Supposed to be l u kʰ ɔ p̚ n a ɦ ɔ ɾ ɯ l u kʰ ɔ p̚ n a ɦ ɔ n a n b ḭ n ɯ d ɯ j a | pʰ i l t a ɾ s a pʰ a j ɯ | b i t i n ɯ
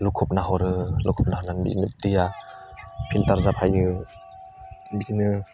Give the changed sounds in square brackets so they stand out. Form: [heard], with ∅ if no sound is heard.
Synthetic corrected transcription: l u kʰ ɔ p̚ n a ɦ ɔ ɾ ɯ l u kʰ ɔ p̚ n a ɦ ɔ n a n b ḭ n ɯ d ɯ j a | pʰ i l t a ɾ [z] a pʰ a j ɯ | b i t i n ɯ